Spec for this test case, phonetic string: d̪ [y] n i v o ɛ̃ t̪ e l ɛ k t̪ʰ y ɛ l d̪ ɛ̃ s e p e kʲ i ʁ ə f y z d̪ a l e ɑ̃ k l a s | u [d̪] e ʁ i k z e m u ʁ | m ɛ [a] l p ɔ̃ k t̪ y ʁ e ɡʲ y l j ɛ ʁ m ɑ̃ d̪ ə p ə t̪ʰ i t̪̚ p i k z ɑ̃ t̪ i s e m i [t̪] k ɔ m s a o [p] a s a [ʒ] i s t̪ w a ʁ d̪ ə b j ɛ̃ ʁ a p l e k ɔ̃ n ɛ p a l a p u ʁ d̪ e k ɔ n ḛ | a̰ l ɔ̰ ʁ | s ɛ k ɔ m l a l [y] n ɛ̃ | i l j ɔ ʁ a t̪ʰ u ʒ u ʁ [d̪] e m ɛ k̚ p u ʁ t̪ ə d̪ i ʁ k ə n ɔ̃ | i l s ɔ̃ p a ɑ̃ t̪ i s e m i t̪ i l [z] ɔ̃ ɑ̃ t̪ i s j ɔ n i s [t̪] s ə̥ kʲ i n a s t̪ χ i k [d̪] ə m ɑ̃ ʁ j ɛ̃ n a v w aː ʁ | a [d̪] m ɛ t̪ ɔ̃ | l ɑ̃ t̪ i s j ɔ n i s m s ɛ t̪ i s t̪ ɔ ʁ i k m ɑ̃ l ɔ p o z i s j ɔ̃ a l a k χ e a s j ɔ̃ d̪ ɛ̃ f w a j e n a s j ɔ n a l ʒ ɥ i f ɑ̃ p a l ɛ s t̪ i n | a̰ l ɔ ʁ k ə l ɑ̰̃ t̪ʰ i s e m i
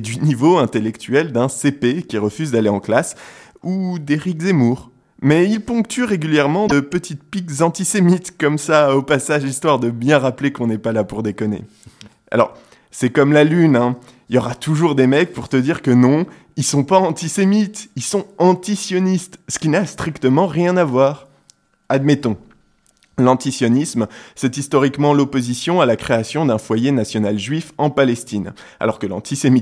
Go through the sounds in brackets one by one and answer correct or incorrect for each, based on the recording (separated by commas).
correct, correct, incorrect, correct, correct, correct, correct, correct, incorrect, correct, incorrect, correct